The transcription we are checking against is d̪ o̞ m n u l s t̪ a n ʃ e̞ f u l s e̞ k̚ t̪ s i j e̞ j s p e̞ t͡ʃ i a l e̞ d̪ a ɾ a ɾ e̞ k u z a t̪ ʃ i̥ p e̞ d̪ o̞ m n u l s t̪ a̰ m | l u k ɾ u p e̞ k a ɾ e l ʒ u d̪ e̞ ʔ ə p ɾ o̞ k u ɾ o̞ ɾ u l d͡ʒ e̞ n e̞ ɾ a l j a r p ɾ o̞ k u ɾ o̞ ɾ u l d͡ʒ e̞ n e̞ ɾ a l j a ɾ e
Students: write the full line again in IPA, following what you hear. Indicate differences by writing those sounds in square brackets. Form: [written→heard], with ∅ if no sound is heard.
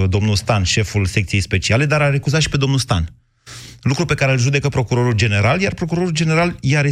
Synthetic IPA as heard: d̪ o̞ m n u l s t̪ a n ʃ e̞ f u l s e̞ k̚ t̪ s i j e̞ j s p e̞ t͡ʃ i a l e̞ d̪ a ɾ a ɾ e̞ k u z a t̪ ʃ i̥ p e̞ d̪ o̞ m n u l s t̪ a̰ [m→n] | l u k ɾ u p e̞ k a ɾ e l ʒ u d̪ e̞ [ʔ→k] ə p ɾ o̞ k u ɾ o̞ ɾ u l d͡ʒ e̞ n e̞ ɾ a l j a r p ɾ o̞ k u ɾ o̞ ɾ u l d͡ʒ e̞ n e̞ ɾ a l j a ɾ e